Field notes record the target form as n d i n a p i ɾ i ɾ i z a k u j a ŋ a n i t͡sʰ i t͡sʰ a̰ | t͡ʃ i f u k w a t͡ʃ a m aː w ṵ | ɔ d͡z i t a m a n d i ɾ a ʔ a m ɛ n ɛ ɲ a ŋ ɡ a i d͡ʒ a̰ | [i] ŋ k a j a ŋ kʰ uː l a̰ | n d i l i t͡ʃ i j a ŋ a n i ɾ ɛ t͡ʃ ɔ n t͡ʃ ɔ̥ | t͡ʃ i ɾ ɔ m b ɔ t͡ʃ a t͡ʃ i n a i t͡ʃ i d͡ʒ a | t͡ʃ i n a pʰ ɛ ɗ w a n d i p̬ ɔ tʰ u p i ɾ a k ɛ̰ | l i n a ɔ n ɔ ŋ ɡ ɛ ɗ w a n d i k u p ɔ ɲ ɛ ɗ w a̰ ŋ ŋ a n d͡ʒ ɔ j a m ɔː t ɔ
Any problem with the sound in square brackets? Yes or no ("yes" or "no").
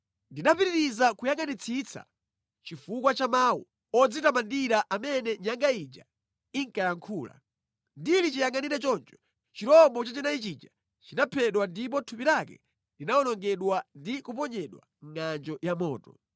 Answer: no